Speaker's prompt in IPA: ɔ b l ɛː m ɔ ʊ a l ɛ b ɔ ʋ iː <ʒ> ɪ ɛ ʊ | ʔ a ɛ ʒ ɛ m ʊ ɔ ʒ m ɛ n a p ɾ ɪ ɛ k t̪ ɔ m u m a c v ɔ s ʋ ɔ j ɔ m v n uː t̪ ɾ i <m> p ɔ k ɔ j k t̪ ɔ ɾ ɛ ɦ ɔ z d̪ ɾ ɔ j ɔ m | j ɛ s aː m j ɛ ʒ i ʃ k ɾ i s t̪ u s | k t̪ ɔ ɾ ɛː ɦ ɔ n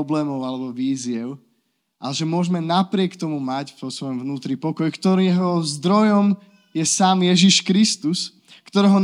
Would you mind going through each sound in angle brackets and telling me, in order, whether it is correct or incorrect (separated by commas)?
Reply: incorrect, incorrect